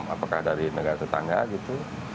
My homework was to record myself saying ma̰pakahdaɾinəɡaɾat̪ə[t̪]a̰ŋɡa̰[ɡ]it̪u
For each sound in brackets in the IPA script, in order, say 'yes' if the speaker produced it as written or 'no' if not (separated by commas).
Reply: yes, yes